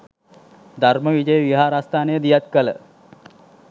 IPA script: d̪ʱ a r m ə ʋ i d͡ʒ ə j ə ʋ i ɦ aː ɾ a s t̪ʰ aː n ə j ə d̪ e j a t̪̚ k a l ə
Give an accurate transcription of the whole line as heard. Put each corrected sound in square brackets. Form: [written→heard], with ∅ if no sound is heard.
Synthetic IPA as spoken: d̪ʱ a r m ə ʋ i d͡ʒ ə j ə ʋ i ɦ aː ɾ a s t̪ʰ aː n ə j ə d̪ [e→i] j a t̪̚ k [a→ə] l ə